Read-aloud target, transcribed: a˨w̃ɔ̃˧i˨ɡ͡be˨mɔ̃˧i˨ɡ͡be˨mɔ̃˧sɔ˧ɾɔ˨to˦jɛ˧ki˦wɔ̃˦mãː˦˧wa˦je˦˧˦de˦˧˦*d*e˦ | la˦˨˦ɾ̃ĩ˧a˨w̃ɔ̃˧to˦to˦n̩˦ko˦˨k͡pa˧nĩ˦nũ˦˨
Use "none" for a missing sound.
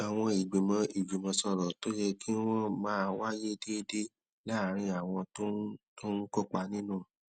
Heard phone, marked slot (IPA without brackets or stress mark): d